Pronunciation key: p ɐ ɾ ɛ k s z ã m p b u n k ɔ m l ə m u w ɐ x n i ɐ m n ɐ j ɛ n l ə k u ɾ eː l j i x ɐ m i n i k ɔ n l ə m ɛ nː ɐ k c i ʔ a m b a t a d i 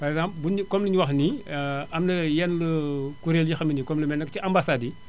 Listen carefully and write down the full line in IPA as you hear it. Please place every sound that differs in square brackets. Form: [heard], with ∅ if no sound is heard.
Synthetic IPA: p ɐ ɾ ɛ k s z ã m p b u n k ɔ m l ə [ɲ] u w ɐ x n i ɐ m n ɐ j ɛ n l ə k u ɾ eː l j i x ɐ m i n i k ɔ [m] l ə m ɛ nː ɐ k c i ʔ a m b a [s] a d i